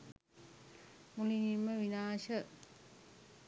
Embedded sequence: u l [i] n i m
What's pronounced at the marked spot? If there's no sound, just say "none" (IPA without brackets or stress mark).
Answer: i